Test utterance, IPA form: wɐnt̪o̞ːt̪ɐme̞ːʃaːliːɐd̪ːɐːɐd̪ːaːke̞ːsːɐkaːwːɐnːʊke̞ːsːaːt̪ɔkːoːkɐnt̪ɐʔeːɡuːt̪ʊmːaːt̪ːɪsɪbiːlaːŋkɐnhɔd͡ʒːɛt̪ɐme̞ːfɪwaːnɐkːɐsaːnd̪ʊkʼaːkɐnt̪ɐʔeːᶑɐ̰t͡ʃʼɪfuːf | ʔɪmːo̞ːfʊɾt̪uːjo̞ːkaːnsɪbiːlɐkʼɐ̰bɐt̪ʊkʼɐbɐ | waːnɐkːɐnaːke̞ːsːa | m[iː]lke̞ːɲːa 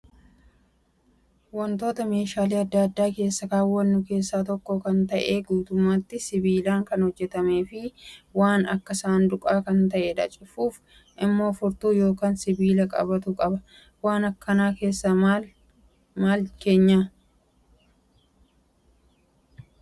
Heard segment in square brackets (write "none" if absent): aː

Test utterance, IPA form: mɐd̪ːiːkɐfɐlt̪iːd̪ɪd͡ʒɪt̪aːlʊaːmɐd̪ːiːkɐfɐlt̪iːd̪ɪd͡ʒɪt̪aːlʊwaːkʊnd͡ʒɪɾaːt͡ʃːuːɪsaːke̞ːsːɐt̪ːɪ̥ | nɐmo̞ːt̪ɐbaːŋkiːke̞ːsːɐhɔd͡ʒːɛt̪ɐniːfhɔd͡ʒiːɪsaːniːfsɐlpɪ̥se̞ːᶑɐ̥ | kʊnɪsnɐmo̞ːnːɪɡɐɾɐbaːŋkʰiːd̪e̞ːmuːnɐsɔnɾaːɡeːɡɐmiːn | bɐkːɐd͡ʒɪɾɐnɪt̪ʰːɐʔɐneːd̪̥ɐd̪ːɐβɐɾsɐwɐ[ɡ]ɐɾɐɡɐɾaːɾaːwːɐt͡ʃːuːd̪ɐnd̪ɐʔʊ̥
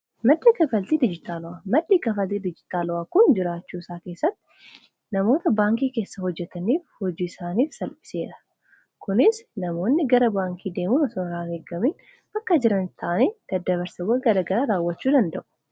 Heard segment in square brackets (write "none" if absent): ɡ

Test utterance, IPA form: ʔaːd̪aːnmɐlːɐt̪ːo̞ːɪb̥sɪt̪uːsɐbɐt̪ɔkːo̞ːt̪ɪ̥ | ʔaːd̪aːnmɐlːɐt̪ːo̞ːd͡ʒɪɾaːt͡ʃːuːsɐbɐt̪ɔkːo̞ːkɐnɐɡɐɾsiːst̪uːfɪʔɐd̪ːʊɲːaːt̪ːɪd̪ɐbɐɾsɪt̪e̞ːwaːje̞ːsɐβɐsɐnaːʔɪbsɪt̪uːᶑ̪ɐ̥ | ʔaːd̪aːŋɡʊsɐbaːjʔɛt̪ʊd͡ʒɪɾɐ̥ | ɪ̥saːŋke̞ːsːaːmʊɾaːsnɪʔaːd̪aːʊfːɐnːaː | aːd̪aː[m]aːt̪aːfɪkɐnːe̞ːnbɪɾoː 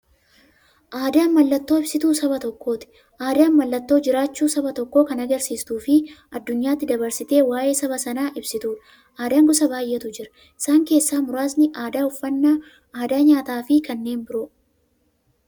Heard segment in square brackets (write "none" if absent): ɲ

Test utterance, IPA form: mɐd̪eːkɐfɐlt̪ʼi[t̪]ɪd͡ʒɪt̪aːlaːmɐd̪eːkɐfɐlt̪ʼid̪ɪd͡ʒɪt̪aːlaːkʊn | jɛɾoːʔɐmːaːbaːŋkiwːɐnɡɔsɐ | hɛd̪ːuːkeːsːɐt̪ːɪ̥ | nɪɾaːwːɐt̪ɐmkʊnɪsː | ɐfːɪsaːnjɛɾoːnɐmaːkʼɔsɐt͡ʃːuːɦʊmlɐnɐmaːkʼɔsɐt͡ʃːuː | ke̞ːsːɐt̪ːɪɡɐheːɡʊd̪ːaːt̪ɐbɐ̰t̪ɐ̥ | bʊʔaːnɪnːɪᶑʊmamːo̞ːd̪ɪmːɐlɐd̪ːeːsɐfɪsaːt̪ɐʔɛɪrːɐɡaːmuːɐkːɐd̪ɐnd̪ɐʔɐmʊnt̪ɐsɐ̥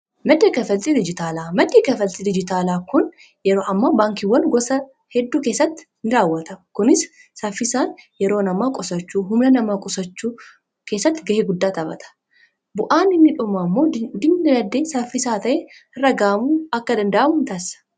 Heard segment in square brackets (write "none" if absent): d̪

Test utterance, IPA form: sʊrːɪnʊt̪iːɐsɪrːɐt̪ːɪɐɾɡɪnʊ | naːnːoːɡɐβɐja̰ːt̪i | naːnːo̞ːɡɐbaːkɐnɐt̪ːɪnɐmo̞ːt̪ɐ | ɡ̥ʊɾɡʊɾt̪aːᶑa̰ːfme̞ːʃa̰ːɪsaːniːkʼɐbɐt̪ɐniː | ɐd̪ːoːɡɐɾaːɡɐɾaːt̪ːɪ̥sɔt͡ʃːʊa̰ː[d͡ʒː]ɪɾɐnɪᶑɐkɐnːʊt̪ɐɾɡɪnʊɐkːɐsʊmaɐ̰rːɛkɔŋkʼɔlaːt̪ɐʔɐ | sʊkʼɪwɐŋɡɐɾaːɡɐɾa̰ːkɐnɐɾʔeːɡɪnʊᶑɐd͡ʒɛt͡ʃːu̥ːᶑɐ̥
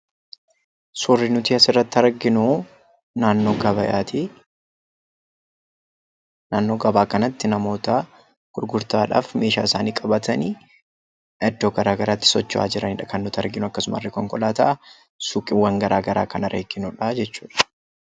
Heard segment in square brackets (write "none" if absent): d͡ʒ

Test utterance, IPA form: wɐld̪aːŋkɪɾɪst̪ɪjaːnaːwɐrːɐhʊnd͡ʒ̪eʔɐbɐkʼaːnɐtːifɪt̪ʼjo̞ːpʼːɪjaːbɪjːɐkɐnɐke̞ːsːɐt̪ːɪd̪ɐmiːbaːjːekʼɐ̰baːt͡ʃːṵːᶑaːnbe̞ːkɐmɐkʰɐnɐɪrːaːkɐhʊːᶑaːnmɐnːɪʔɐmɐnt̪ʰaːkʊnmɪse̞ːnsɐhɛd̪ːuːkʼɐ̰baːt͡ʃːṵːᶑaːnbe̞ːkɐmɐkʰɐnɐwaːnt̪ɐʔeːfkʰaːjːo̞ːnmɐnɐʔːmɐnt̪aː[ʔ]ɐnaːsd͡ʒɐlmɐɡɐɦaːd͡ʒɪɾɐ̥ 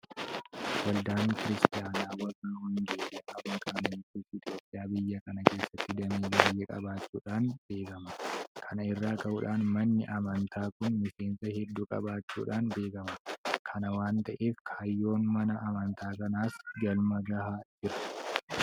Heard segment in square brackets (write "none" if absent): k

